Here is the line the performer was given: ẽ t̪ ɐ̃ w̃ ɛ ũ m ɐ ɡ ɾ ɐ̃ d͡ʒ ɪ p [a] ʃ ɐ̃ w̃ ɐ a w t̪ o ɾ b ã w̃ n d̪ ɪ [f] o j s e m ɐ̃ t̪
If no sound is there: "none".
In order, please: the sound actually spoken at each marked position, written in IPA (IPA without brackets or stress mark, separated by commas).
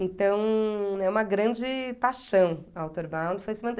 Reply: a, f